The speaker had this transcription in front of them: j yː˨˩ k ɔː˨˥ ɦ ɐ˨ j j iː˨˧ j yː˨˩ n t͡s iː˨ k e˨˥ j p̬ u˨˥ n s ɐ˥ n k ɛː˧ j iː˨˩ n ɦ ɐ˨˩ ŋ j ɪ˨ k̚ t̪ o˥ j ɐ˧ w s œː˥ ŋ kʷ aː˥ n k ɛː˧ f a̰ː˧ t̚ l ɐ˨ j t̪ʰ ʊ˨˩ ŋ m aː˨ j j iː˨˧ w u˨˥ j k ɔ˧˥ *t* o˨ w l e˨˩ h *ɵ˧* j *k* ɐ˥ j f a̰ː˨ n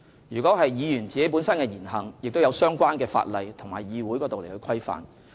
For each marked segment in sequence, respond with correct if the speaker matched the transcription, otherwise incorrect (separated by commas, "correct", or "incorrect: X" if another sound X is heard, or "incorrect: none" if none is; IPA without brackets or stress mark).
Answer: correct, correct, incorrect: kʰ